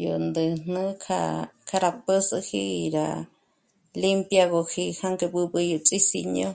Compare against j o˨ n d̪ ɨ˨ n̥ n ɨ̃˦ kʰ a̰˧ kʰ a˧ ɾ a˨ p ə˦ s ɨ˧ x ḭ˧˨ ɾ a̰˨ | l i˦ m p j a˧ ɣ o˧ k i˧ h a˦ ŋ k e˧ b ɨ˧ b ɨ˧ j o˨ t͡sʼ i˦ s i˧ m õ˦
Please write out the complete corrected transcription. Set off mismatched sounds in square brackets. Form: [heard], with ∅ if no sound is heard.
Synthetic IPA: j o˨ n d̪ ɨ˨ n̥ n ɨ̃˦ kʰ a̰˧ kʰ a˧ ɾ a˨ p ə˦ s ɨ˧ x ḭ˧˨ ɾ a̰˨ | l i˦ m p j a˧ ɣ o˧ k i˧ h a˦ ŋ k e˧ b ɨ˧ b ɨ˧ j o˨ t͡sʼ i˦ s i˧ [ɲ] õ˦